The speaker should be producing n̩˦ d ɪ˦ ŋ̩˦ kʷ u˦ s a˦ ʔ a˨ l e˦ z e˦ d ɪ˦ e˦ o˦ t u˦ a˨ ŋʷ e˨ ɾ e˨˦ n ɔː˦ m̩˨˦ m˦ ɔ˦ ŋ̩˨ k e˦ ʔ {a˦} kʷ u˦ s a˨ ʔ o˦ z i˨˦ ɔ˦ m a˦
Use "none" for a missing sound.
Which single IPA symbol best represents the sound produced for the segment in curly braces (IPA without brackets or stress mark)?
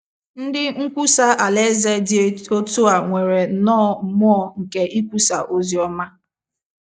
i˦